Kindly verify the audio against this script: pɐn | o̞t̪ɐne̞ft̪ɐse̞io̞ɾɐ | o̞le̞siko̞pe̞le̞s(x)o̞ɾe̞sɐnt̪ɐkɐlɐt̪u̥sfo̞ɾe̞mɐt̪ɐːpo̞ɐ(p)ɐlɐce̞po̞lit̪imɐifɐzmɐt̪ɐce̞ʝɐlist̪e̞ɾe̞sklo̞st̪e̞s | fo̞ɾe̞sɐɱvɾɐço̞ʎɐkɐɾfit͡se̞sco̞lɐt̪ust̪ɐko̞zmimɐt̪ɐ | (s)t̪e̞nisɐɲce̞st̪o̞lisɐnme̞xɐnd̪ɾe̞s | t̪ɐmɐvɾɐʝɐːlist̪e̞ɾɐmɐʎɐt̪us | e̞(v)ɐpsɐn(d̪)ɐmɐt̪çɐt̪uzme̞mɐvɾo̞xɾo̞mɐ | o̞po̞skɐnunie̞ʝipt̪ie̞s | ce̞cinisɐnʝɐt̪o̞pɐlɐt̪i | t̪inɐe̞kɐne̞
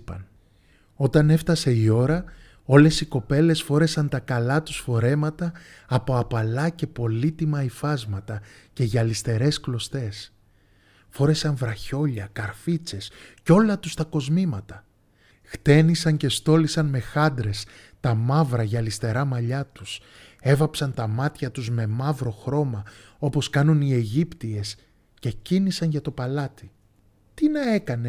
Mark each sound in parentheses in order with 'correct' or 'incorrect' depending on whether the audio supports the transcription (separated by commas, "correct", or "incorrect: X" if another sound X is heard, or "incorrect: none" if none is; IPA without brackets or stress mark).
incorrect: f, correct, incorrect: x, correct, incorrect: t̪